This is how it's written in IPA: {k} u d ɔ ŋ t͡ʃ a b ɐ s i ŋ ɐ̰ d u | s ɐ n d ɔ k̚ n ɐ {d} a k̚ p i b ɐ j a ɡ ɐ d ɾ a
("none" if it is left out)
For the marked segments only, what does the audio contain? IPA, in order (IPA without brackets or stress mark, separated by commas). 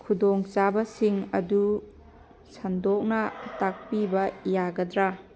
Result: kʰ, t